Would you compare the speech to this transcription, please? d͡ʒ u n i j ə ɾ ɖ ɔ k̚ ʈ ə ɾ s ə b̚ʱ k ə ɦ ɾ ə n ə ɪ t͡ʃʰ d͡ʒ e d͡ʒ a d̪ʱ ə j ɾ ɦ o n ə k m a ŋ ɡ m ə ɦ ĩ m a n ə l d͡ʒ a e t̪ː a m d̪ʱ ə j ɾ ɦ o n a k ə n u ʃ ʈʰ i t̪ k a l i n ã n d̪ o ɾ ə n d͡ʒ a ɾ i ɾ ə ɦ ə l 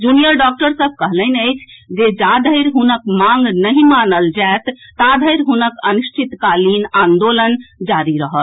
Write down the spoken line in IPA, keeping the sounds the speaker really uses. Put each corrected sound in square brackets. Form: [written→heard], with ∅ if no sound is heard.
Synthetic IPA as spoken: d͡ʒ u n i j ə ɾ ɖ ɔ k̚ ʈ ə ɾ s ə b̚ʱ k ə ɦ [ɾ→l] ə n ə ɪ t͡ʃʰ d͡ʒ e d͡ʒ a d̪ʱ ə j ɾ ɦ [o→u] n ə k m a ŋ ɡ [m→n] ə ɦ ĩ m a n ə l d͡ʒ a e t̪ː a [m→∅] d̪ʱ ə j ɾ ɦ [o→u] n [a→ə] k ə n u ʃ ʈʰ i t̪ k a l i n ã n d̪ o [ɾ→l] ə n d͡ʒ a ɾ i ɾ ə ɦ ə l